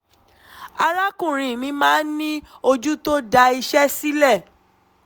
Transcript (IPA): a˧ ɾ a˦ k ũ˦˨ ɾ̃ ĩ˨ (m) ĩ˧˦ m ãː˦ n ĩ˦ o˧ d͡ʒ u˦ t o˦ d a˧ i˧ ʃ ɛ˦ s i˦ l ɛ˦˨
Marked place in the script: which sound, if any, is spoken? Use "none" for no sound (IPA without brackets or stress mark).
m